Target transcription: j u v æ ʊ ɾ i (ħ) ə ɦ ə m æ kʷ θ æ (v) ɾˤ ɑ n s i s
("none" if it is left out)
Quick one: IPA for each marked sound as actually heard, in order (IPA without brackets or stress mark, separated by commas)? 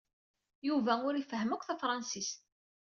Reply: f, f